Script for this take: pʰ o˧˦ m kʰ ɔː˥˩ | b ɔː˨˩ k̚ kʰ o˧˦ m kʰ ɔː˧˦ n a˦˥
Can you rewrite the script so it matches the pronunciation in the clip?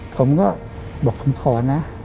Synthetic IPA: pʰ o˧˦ m k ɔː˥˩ | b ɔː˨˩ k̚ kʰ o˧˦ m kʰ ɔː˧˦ n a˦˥